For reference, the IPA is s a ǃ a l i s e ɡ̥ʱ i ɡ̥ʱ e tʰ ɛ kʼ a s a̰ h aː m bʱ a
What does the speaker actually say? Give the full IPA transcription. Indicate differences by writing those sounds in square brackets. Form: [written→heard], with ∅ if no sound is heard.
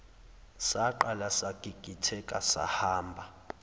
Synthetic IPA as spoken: s a ǃ a l [i→a] s [e→a] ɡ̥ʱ i ɡ̥ʱ [e→i] tʰ ɛ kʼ a s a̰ h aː m bʱ a

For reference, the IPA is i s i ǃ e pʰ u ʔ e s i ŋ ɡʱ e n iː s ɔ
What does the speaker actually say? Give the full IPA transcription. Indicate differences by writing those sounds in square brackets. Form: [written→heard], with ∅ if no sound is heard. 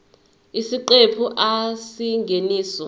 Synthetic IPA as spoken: i s i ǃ e pʰ u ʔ [e→a] s i ŋ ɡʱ e n iː s ɔ

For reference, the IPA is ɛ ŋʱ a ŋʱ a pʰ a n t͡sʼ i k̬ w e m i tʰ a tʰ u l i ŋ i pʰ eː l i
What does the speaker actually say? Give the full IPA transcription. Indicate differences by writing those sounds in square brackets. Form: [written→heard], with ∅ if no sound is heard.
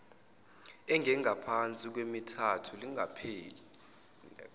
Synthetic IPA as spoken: ɛ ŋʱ [a→ɛ] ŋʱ a pʰ a n t͡sʼ i k̬ w e m i tʰ a tʰ u l i ŋ [i→a] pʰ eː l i

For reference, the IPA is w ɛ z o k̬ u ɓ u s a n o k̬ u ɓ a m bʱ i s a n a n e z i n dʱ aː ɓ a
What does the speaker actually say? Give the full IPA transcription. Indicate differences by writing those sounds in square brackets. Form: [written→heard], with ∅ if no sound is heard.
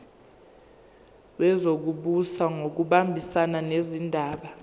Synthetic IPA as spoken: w ɛ z o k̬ u ɓ u s a [n→ŋ] o k̬ u ɓ a m bʱ i s a n a n e z i n dʱ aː ɓ a

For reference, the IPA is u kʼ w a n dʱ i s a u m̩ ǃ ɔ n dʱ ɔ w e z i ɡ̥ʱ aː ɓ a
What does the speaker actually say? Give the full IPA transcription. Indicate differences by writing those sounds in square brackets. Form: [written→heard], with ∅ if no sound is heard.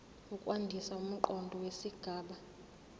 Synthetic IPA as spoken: u kʼ w a n dʱ i s a u m̩ ǃ ɔ n dʱ ɔ w e [z→s] i ɡ̥ʱ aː ɓ a

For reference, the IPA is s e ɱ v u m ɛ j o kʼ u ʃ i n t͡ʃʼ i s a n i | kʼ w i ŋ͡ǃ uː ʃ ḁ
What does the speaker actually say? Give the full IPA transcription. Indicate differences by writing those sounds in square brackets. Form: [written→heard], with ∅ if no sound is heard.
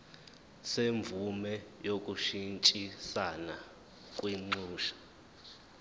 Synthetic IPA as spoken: s e ɱ v u m ɛ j o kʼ u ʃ i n t͡ʃʼ i s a n [i→a] | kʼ w i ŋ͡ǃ uː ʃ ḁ

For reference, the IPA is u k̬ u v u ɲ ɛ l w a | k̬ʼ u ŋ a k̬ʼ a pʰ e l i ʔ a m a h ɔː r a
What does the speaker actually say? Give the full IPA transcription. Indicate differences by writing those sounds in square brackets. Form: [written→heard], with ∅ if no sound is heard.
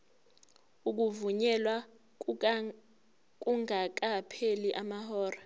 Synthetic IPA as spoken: u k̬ u v u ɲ ɛ l w a | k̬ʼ u ŋ a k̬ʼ a pʰ e l i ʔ a m a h ɔː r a

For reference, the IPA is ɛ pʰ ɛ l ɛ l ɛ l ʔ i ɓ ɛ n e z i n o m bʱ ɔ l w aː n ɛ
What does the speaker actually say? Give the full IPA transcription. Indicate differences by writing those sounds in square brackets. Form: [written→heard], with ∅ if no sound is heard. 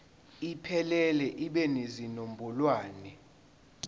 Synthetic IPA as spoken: [ɛ→i] pʰ ɛ l ɛ l ɛ [l→∅] ʔ i ɓ ɛ n e z i n o m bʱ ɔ l w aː n ɛ

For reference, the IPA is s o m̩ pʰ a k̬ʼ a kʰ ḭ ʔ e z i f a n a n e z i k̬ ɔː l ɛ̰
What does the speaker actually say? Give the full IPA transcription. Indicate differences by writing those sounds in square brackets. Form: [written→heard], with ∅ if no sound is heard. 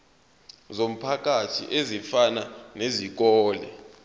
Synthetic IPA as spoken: [s→z] o m̩ pʰ a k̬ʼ a [kʰ→tʰ] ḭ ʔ e z i f a n a n e z i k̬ ɔː l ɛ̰

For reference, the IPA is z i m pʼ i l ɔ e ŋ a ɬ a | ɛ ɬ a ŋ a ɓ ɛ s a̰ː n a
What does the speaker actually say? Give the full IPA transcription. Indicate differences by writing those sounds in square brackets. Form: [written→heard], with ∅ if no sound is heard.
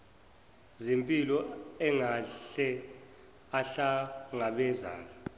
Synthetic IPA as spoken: z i m pʼ i l ɔ [e→ɛ] ŋ a ɬ [a→ɛ] | [ɛ→a] ɬ a ŋ a ɓ ɛ [s→z] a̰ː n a

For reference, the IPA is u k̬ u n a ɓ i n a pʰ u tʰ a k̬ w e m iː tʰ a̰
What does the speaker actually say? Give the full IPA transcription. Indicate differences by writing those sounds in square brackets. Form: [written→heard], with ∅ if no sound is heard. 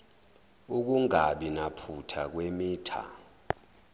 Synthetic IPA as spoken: u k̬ u [n→ŋ] a ɓ i n a pʰ u tʰ a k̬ w e m iː tʰ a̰

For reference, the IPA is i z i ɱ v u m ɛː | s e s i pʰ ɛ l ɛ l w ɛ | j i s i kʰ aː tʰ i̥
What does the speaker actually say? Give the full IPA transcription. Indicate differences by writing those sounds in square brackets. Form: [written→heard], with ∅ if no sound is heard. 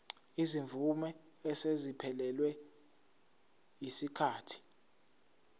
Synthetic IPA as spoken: i z i ɱ v u m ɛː | s e [s→z] i pʰ ɛ l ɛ l w ɛ | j i s i kʰ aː tʰ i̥

